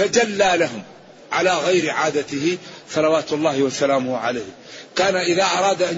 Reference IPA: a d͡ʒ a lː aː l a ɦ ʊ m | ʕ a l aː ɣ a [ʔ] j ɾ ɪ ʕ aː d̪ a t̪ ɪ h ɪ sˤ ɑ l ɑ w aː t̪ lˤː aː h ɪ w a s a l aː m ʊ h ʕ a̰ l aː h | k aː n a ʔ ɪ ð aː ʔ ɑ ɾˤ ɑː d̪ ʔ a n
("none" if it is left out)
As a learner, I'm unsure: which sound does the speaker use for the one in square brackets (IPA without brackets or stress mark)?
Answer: none